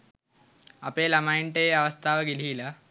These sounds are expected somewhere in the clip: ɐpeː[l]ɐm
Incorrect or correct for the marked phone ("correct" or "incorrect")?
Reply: correct